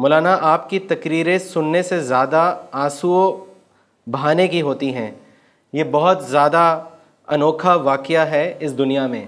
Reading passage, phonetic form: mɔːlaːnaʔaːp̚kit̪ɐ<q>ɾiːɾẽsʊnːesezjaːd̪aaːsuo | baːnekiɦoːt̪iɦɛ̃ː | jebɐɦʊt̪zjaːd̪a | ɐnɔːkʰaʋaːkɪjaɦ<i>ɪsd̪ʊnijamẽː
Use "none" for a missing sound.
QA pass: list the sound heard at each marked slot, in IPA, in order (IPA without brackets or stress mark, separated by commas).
k, ɛ